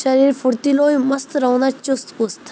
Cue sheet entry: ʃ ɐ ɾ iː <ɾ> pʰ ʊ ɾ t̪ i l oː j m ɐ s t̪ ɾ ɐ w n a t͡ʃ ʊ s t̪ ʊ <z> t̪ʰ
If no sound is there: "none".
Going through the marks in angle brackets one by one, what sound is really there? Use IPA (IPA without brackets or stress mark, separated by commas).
ɾ, s